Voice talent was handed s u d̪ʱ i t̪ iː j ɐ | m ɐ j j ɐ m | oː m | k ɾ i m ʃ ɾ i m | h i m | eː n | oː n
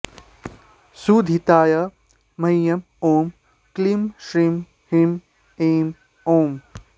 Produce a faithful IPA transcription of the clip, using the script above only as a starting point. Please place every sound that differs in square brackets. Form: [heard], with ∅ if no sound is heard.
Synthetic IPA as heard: s u d̪ʱ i t̪ [aː] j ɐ | m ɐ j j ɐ m | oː m | k [l] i m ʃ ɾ i m | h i m | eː [m] | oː [m]